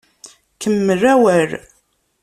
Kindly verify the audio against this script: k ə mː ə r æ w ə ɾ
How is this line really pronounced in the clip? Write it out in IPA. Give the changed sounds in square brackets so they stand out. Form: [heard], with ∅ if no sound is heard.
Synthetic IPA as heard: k ə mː ə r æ w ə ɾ

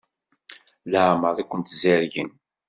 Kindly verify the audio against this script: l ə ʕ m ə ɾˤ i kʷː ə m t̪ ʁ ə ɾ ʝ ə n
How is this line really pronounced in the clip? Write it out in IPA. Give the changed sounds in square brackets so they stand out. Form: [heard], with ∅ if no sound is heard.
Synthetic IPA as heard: l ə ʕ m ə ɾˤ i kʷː ə [n] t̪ [z] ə ɾ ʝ ə n

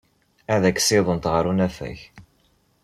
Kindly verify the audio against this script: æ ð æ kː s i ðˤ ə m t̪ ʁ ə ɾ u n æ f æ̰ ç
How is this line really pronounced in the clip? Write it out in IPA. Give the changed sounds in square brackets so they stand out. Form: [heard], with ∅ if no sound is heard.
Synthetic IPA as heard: æ ð æ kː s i ðˤ ə [n] t̪ ʁ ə ɾ u n æ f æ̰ ç

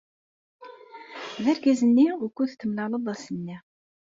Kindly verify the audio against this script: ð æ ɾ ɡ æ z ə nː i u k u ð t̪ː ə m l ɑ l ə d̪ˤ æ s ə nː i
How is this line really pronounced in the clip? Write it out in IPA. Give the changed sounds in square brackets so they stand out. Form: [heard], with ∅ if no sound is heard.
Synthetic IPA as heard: ð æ ɾ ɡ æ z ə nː i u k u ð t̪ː ə m l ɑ l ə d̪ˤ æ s ə nː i

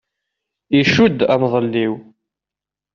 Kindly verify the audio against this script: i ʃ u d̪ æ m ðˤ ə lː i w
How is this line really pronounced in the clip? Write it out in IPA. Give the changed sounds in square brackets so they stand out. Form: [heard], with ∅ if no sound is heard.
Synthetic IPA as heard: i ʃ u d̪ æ m ðˤ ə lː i w

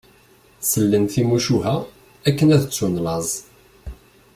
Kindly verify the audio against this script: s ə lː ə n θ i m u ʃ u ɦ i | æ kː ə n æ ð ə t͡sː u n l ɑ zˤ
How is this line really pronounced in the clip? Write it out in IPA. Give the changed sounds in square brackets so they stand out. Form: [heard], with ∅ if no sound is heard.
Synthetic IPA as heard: s ə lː ə n θ i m u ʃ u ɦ [æ] | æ kː ə n æ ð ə t͡sː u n l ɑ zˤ

